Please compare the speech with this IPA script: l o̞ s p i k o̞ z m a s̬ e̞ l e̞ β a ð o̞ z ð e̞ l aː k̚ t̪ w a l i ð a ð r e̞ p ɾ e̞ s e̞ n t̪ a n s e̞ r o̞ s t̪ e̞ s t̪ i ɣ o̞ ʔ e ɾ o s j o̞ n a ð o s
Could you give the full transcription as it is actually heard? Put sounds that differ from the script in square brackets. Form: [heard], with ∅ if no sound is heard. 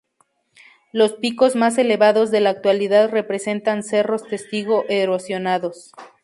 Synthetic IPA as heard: l o̞ s p i k o̞ z m a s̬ e̞ l e̞ β a ð o̞ z ð e̞ l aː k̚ t̪ w a l i ð a ð r e̞ p ɾ e̞ s e̞ n t̪ a n s e̞ r o̞ s t̪ e̞ s t̪ i ɣ o̞ ʔ e ɾ o s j o̞ n a ð o s